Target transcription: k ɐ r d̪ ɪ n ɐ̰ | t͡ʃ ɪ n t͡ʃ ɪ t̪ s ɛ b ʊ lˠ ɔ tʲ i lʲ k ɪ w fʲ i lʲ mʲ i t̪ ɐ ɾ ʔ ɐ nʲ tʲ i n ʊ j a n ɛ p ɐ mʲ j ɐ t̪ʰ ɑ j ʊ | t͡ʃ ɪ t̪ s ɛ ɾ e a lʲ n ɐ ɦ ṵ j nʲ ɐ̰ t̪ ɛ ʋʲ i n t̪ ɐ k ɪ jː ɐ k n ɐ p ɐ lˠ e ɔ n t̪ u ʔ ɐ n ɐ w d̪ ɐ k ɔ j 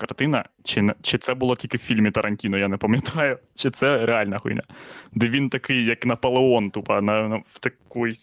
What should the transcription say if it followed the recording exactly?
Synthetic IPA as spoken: k ɐ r t̪ ɪ n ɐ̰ | t͡ʃ ɪ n t͡ʃ ɪ t̪ s ɛ b ʊ lˠ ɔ tʲ i lʲ k ɪ w fʲ i lʲ mʲ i t̪ ɐ ɾ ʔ ɐ nʲ tʲ i n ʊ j a n ɛ p ɐ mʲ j ɐ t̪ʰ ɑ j ʊ | t͡ʃ ɪ t̪ s ɛ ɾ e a lʲ n ɐ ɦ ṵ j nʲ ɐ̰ d̪ ɛ ʋʲ i n t̪ ɐ k ɪ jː ɐ k n ɐ p ɐ lˠ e ɔ n t̪ u p ɐ n ɐ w t̪ ɐ k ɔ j